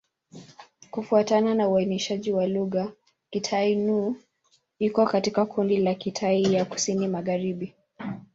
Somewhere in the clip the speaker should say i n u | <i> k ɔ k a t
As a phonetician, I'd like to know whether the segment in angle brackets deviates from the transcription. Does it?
no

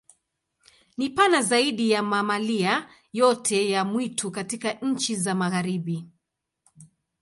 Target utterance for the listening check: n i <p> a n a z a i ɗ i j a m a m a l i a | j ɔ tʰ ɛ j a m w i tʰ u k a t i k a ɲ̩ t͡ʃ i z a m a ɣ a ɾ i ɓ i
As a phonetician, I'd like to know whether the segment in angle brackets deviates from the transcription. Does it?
no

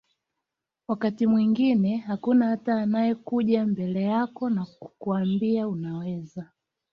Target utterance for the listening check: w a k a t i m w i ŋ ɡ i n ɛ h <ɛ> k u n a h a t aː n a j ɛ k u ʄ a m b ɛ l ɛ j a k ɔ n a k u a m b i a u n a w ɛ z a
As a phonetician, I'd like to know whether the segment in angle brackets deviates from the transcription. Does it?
yes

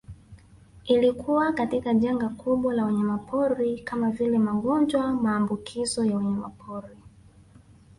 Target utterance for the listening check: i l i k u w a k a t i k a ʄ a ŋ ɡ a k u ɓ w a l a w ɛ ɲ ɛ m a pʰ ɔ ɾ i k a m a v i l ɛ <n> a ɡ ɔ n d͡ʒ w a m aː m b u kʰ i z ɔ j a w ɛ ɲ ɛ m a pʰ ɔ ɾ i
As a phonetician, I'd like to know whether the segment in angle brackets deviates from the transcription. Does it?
yes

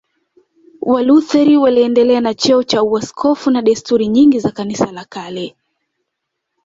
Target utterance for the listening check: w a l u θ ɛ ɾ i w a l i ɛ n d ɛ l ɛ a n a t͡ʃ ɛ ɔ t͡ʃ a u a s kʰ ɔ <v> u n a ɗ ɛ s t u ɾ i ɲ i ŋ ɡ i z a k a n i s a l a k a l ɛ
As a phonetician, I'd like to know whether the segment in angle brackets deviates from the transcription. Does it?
yes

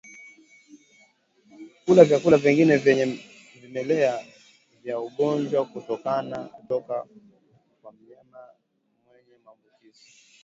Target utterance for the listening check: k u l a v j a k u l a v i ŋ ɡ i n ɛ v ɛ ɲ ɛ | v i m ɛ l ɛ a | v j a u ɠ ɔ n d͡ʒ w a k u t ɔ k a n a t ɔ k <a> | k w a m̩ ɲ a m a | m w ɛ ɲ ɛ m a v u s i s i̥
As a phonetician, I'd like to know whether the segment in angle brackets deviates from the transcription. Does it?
no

